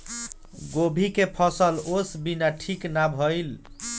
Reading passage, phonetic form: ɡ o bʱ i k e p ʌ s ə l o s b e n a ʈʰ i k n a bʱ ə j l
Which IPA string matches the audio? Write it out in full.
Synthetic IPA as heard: ɡ o bʱ i k e pʰ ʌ s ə l o s b i n a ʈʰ i k n a bʱ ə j l